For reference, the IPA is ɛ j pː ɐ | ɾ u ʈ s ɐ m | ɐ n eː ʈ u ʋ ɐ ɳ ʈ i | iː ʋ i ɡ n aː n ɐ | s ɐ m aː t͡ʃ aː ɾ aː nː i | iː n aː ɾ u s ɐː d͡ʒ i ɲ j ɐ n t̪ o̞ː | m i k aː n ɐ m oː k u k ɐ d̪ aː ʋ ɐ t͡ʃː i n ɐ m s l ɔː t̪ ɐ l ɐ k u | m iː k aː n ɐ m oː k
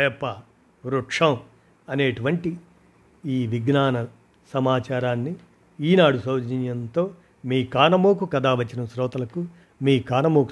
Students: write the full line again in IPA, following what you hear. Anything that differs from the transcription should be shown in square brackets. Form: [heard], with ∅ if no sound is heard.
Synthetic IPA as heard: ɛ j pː ɐ | ɾ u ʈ [ʂ] ɐ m | ɐ n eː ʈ u ʋ ɐ ɳ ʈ i | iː ʋ i ɡ n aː n ɐ | s ɐ m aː t͡ʃ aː ɾ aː nː i | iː n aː [ɽ] u s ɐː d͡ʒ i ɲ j ɐ n t̪ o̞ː | m [iː] k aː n ɐ m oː k u k ɐ d̪ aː ʋ ɐ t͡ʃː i n ɐ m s [ɾ] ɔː t̪ ɐ l ɐ k u | m iː k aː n ɐ m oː k